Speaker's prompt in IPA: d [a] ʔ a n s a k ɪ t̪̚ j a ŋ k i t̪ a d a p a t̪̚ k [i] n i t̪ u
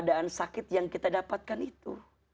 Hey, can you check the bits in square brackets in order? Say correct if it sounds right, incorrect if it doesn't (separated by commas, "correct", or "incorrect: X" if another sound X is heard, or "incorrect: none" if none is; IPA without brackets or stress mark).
correct, incorrect: a